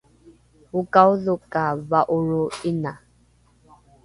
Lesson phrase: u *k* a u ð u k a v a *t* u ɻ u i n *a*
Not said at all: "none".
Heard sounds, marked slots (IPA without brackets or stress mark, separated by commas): k, ʔ, a